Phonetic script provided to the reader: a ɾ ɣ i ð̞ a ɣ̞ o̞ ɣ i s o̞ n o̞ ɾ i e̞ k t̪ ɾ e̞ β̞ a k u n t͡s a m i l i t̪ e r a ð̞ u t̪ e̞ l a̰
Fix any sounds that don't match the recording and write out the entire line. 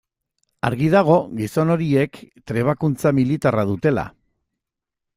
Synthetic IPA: a ɾ ɣ i ð̞ a ɣ̞ o̞ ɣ i s o̞ n o̞ ɾ i e̞ k t̪ ɾ e̞ β̞ a k u n t͡s a m i l i t̪ a r a ð̞ u t̪ e̞ l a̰